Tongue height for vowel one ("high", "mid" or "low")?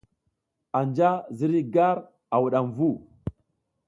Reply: low